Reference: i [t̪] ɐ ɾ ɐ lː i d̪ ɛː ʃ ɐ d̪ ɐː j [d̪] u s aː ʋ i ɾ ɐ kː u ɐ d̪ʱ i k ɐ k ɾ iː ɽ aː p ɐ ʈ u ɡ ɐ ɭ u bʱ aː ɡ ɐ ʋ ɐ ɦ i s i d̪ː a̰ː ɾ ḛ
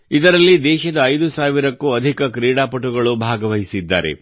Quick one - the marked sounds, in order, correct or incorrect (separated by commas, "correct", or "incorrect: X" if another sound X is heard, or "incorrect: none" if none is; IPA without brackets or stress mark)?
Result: incorrect: d̪, correct